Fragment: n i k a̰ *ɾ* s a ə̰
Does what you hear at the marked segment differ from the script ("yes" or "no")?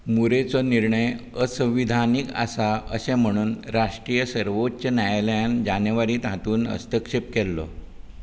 yes